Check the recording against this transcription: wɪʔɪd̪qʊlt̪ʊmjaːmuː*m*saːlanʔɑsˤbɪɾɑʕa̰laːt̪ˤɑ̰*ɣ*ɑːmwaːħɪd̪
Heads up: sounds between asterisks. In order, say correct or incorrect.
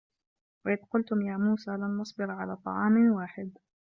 incorrect, incorrect

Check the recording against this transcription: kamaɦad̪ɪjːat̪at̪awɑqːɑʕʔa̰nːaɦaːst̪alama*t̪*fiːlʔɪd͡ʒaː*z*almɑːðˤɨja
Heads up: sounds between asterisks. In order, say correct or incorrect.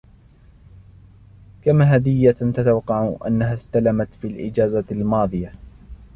correct, correct

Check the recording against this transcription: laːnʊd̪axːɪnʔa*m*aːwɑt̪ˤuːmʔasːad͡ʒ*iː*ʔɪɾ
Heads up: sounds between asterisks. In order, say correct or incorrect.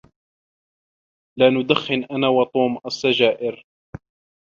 incorrect, incorrect

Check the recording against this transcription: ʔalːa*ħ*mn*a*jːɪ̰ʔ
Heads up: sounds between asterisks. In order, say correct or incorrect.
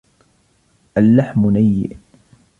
correct, correct

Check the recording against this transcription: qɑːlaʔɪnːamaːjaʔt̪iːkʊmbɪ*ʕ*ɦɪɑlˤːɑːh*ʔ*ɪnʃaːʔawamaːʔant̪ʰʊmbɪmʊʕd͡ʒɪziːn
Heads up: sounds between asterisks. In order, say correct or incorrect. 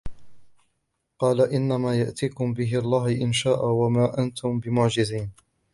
incorrect, correct

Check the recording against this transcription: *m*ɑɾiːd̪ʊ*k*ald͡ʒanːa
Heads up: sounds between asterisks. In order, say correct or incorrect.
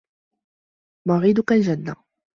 correct, correct

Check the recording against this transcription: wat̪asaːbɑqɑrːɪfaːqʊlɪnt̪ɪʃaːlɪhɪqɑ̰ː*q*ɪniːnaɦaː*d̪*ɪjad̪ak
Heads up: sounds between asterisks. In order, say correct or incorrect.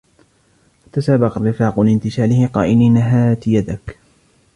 incorrect, incorrect

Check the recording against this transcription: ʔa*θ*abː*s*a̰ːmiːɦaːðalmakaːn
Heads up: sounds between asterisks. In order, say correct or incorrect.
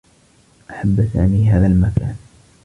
incorrect, correct

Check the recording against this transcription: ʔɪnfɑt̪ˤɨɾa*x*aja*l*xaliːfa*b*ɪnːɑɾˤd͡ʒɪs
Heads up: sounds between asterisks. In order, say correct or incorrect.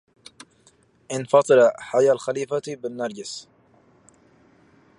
incorrect, correct, correct

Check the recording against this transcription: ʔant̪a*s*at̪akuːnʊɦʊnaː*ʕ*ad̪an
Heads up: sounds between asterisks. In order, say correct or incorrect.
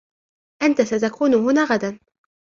correct, incorrect

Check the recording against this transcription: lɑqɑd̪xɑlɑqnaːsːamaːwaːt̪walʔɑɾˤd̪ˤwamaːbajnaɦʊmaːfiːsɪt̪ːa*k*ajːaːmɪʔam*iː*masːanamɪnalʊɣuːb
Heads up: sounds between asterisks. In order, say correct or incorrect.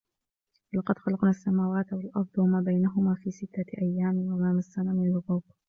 incorrect, incorrect

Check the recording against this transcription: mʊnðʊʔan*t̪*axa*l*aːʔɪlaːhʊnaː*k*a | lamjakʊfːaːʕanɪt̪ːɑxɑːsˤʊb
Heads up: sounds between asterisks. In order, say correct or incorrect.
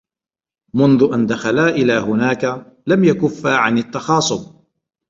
incorrect, correct, correct

